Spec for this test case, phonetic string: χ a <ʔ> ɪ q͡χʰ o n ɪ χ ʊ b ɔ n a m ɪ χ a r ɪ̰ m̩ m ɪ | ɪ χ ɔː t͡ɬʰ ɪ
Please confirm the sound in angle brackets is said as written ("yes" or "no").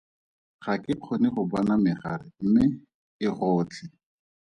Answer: no